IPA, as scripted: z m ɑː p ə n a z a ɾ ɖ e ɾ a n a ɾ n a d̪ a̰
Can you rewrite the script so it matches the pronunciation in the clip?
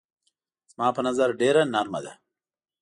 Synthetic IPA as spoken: z m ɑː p ə n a z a ɾ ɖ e ɾ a n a ɾ m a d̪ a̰